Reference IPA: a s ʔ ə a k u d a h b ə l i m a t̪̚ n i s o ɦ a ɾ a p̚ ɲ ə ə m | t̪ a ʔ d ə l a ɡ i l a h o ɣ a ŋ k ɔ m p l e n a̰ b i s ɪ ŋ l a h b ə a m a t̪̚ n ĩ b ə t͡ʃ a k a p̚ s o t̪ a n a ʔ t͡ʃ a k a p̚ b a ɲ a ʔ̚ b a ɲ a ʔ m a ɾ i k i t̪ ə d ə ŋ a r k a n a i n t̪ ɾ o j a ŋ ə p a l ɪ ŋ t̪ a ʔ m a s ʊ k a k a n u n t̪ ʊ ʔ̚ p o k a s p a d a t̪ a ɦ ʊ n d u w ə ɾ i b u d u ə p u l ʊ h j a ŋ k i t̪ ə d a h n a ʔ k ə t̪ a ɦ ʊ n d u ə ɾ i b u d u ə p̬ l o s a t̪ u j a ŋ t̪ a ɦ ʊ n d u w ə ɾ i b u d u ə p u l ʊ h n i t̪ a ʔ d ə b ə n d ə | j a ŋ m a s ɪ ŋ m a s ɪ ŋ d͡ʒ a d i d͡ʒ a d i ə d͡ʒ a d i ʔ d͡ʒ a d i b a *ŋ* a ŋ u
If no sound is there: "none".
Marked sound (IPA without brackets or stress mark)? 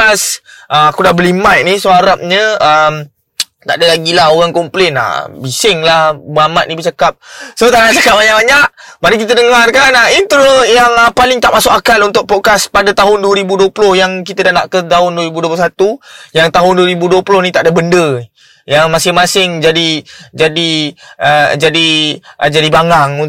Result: ŋ